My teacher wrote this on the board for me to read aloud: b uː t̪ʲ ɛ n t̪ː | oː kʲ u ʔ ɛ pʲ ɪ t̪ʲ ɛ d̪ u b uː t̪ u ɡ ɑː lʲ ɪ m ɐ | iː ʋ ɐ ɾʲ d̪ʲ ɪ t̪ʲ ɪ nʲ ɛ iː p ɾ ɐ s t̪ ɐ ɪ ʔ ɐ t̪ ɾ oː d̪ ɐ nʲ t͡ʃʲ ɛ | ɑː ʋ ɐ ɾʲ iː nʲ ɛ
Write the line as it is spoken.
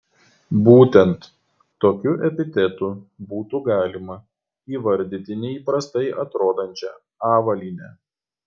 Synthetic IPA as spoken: b uː t̪ʲ ɛ n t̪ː | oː kʲ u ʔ ɛ pʲ ɪ t̪ʲ ɛ t̪ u b uː t̪ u ɡ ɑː lʲ ɪ m ɐ | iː ʋ ɐ ɾʲ d̪ʲ ɪ t̪ʲ ɪ nʲ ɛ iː p ɾ ɐ s t̪ ɐ ɪ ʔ ɐ t̪ ɾ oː d̪ ɐ nʲ t͡ʃʲ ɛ | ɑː ʋ ɐ lʲ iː nʲ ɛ